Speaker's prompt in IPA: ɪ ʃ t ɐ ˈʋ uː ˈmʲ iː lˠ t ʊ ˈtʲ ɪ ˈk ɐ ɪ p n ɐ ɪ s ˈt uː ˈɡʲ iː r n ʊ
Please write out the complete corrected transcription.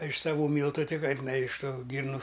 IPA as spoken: ɪ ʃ s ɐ ˈʋ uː ˈmʲ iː lˠ t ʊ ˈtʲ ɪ ˈk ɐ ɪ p n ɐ ɪ ʃ ˈt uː ˈɡʲ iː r n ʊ